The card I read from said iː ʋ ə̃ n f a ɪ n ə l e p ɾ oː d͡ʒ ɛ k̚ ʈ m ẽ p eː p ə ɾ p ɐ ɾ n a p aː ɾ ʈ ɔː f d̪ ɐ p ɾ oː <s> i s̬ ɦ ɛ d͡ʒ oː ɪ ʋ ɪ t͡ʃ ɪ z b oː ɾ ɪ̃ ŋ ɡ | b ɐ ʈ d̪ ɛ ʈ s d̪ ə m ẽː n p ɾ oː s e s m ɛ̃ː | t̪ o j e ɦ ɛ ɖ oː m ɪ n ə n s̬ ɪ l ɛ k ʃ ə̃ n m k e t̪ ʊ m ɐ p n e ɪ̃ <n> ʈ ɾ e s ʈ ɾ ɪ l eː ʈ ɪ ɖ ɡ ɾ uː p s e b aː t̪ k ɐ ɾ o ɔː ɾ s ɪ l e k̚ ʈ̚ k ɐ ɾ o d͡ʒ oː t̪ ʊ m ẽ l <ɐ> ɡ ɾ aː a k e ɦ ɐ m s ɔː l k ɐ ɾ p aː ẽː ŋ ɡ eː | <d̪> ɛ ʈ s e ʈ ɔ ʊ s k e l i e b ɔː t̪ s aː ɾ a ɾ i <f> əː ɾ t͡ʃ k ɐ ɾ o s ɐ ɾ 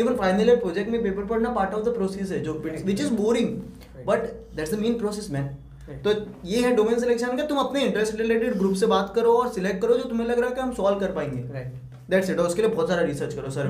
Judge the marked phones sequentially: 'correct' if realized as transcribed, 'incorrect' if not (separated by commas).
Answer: correct, incorrect, correct, correct, incorrect